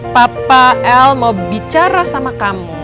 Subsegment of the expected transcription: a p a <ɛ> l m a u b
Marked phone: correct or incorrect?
correct